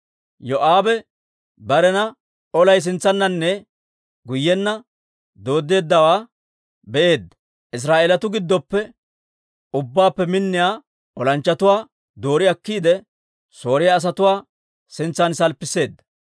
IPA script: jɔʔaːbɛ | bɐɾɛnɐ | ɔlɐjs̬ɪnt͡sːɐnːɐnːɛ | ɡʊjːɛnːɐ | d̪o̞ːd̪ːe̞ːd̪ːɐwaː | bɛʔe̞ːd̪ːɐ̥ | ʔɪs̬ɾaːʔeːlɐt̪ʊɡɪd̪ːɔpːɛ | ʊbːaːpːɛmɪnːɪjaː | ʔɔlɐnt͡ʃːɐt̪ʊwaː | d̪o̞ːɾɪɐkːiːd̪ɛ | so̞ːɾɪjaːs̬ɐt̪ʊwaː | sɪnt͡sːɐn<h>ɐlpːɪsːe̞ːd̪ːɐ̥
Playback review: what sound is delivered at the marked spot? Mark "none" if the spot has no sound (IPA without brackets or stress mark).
s